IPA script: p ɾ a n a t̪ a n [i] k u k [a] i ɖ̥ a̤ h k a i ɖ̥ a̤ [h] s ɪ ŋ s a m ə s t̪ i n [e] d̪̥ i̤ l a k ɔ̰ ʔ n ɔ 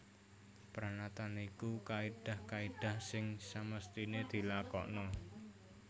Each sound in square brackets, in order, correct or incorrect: correct, correct, correct, correct

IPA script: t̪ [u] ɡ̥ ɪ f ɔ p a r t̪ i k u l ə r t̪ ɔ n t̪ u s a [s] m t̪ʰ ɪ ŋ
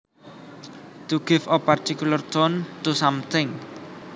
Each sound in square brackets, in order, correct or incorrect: correct, incorrect

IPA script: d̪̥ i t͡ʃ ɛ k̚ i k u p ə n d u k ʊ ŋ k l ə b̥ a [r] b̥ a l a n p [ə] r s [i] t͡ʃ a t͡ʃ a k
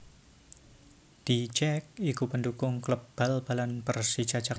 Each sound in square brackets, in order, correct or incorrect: incorrect, correct, correct

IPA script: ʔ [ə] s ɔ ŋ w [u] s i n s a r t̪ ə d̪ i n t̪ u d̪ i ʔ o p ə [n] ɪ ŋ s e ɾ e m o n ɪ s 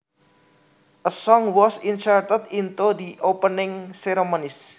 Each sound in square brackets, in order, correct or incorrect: correct, incorrect, correct

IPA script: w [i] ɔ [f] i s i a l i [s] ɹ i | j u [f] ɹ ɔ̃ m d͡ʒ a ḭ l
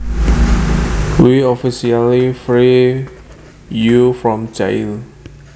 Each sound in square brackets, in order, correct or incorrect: correct, correct, incorrect, correct

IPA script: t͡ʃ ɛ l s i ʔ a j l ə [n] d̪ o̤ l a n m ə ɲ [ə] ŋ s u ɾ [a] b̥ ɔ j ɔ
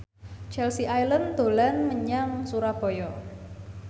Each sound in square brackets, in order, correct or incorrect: correct, incorrect, correct

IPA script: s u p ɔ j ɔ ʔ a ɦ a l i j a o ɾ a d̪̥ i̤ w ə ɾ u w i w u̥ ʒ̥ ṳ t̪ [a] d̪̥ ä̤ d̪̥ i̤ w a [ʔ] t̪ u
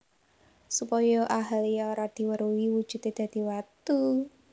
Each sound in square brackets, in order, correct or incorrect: incorrect, incorrect

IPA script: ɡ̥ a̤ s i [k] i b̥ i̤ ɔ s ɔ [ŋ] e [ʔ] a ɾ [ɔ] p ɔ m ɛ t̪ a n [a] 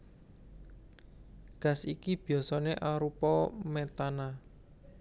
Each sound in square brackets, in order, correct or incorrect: correct, incorrect, correct, incorrect, correct

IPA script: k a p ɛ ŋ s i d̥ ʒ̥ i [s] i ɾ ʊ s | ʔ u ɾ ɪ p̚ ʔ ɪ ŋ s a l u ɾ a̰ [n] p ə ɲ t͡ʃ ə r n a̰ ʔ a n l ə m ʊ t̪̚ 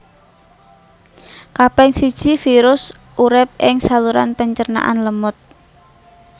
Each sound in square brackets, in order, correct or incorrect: incorrect, correct

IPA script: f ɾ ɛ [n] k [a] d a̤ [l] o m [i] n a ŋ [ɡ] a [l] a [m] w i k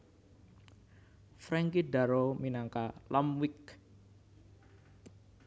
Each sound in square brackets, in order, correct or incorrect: incorrect, incorrect, incorrect, correct, incorrect, correct, correct

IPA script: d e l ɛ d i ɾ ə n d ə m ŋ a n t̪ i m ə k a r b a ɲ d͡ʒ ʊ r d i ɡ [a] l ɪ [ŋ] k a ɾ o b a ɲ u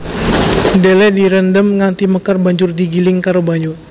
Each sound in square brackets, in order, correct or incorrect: incorrect, correct

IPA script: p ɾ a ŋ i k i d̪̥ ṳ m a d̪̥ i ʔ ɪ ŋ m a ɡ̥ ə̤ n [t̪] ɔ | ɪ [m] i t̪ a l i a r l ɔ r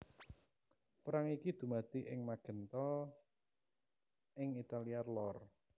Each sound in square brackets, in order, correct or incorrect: correct, incorrect

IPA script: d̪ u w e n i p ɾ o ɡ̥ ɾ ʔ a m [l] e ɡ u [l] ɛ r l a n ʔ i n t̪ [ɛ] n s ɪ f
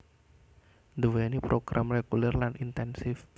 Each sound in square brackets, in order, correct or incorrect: incorrect, correct, correct

